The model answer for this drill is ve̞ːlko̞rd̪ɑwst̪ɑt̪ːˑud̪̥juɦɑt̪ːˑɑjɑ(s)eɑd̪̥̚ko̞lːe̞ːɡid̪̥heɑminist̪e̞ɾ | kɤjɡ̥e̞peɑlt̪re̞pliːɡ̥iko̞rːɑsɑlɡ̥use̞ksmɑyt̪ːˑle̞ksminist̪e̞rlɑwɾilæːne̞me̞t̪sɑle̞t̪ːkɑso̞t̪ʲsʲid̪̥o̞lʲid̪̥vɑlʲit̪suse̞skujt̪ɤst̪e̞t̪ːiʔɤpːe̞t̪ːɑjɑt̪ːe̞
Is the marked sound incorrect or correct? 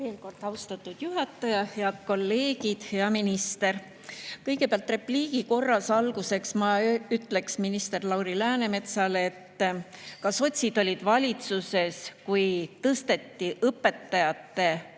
incorrect: h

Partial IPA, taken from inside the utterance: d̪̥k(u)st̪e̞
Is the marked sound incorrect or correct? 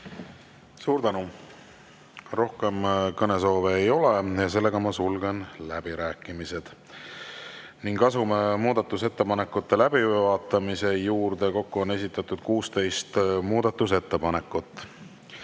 incorrect: uː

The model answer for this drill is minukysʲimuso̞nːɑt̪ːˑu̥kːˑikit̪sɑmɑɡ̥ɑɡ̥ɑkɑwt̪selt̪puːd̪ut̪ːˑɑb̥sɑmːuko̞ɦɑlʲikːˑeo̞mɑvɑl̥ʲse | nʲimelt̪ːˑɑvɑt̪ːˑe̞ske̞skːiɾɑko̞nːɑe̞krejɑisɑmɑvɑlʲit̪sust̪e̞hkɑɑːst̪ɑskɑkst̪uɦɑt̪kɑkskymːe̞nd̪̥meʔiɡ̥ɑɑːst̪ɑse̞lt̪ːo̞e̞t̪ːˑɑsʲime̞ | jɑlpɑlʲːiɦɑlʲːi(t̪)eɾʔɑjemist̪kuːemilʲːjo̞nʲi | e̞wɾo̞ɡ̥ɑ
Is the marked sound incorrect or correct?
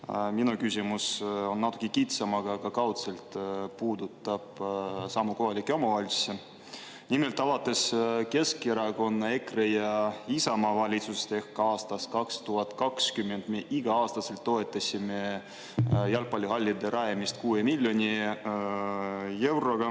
incorrect: d̪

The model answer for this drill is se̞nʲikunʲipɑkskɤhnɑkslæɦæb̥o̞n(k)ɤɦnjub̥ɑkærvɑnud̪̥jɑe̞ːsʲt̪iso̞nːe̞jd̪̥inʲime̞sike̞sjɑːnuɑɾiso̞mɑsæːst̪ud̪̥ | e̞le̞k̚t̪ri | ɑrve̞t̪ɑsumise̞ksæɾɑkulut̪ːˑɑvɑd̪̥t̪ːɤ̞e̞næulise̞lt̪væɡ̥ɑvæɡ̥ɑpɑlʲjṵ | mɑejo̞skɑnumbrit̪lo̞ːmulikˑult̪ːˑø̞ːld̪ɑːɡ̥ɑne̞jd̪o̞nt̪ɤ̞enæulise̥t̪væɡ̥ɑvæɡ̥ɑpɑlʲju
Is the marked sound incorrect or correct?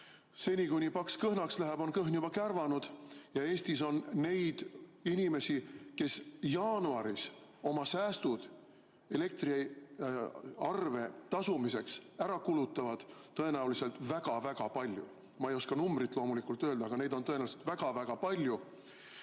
correct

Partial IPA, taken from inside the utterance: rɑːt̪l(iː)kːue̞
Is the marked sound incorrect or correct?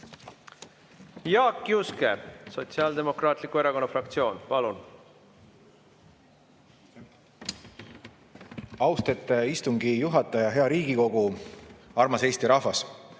incorrect: i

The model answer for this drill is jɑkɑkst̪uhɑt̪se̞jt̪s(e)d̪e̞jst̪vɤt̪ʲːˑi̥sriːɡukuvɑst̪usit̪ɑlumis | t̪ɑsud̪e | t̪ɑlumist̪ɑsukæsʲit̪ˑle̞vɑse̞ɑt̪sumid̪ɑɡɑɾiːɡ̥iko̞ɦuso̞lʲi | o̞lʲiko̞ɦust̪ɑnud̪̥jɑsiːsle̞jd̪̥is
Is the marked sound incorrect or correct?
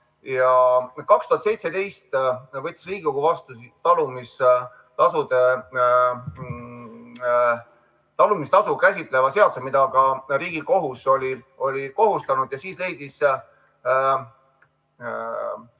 correct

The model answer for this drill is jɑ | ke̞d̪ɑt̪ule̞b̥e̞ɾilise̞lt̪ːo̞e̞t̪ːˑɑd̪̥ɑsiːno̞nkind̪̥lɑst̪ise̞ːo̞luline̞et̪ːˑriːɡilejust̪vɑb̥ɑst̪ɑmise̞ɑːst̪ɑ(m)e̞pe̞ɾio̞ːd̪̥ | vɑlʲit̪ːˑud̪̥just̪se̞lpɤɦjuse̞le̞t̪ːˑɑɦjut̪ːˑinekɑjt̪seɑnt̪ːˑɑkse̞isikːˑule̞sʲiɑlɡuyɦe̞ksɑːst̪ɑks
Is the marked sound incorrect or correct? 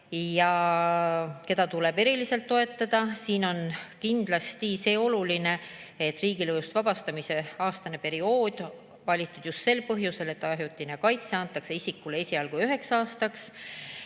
incorrect: n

